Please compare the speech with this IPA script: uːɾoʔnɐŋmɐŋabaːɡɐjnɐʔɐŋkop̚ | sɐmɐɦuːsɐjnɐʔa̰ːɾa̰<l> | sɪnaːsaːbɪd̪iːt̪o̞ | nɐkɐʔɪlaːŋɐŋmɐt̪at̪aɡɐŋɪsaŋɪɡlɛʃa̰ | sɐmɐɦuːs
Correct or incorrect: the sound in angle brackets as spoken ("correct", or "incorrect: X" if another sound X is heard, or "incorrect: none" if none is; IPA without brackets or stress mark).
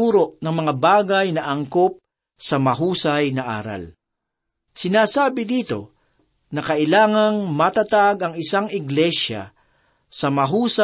correct